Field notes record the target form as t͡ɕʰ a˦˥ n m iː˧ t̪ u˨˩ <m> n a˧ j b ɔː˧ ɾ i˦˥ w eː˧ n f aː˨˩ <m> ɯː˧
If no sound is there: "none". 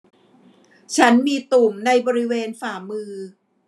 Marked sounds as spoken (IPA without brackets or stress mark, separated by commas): m, m